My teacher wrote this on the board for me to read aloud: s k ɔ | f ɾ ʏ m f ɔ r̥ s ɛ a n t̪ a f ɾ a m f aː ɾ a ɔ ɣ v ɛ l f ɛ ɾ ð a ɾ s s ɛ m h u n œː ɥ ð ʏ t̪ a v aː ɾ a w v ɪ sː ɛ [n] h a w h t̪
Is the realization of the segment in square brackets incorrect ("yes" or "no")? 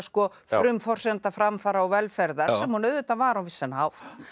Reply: no